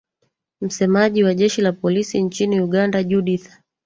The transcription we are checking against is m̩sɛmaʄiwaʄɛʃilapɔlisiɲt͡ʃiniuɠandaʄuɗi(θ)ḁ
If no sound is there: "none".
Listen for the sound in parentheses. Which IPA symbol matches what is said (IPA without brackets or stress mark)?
θ